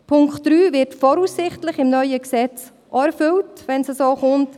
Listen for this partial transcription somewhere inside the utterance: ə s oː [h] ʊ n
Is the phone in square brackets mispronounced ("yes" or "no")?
yes